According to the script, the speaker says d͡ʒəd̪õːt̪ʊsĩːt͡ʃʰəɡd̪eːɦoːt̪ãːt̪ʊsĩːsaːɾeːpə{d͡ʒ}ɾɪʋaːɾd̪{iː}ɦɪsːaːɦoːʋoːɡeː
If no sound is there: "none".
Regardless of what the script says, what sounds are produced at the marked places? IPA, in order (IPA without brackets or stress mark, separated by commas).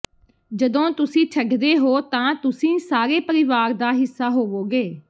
none, aː